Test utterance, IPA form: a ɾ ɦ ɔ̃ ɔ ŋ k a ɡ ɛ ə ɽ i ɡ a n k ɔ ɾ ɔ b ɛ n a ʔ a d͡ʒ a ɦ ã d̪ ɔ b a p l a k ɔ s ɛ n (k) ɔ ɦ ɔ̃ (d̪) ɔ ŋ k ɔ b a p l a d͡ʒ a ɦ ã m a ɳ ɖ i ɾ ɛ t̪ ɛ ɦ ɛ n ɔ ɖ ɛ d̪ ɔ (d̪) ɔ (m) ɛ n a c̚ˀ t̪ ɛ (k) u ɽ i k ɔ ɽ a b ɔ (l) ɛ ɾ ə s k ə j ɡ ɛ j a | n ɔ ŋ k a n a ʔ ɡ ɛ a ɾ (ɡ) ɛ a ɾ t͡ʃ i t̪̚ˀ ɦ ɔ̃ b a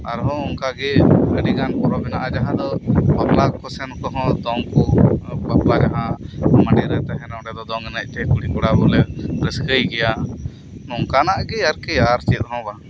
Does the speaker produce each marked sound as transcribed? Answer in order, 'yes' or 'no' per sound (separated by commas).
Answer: yes, yes, yes, no, yes, yes, no